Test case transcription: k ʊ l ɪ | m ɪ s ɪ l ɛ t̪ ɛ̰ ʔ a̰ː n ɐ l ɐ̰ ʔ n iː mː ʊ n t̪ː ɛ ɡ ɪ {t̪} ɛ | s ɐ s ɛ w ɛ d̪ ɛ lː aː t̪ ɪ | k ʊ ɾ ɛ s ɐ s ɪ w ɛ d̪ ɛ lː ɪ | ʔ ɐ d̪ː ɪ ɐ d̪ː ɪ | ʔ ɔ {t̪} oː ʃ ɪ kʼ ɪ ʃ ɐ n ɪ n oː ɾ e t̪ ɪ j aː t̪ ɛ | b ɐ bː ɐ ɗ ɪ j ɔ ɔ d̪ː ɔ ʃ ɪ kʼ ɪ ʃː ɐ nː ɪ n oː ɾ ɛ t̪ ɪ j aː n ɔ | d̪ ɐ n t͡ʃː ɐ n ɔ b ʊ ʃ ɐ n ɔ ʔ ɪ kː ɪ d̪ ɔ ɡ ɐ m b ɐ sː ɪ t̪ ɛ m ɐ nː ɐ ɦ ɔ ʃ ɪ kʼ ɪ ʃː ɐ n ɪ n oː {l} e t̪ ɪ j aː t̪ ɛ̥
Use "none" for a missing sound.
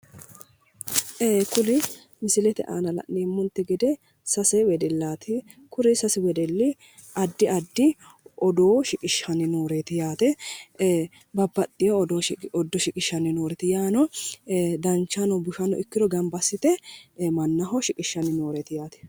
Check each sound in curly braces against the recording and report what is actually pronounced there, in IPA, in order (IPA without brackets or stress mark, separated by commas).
d̪, d̪, ɾ